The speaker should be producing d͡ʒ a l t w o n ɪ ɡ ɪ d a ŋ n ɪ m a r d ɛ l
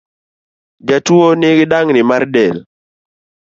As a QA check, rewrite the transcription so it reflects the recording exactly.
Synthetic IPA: d͡ʒ a t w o n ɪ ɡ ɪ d a ŋ n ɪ m a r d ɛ l